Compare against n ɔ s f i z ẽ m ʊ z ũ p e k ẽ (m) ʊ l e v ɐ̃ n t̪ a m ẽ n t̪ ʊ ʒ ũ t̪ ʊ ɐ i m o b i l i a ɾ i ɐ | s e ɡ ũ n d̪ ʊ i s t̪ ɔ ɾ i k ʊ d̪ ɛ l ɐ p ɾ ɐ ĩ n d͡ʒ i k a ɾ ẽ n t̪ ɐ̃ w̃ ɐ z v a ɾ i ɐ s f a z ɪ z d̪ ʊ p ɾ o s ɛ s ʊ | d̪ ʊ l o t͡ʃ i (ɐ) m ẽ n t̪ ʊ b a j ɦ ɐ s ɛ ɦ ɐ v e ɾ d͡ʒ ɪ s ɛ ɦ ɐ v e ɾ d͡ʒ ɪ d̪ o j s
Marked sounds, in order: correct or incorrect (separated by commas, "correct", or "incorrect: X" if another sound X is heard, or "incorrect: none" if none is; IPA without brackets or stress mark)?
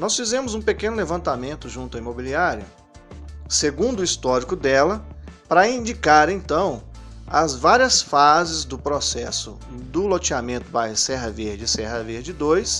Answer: incorrect: n, incorrect: a